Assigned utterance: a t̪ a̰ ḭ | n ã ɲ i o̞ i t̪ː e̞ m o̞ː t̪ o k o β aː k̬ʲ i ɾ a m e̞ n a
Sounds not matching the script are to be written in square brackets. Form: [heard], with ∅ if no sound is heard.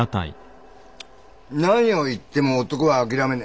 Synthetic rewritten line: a t̪ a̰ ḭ | n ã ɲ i o̞ i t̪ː e̞ m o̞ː t̪ o k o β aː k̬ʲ i ɾ a m e̞ n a